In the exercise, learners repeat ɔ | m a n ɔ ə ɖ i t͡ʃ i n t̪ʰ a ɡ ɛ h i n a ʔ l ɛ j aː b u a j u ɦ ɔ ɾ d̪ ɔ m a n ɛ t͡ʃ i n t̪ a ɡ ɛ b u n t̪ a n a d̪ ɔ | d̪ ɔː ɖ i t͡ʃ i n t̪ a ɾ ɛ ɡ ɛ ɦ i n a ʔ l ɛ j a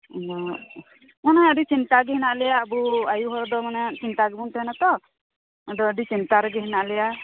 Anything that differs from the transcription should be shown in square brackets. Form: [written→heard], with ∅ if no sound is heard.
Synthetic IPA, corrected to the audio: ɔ | m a n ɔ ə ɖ i t͡ʃ i n [t̪ʰ→t̪] a ɡ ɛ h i n a ʔ l ɛ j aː b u a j u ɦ ɔ ɾ d̪ ɔ m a n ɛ t͡ʃ i n t̪ a ɡ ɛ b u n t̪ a n a [d̪→t̪] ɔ | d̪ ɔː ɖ i t͡ʃ i n t̪ a ɾ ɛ ɡ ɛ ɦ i n a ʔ l ɛ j a